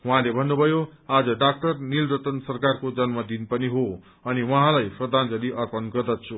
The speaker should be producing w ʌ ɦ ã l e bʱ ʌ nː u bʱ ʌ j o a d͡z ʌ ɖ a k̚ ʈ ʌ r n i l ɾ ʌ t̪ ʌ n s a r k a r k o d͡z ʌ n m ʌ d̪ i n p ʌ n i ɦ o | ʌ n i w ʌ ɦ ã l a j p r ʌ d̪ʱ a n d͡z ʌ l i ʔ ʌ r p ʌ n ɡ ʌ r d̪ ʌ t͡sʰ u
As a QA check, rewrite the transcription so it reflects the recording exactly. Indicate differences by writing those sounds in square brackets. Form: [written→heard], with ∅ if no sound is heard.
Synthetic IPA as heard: w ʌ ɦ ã l e bʱ ʌ nː u bʱ ʌ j o a d͡z ʌ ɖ a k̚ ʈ ʌ r n i l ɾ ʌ t̪ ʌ n s [a→ʌ] r k a r k o d͡z ʌ n m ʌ d̪ i n p ʌ n i ɦ o | ʌ n i w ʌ ɦ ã l a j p r ʌ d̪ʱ a n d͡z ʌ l i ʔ ʌ r p ʌ n ɡ ʌ r d̪ ʌ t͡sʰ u